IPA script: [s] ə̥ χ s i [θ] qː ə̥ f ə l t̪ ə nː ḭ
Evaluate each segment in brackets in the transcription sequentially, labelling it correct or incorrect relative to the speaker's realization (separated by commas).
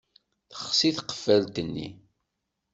incorrect, correct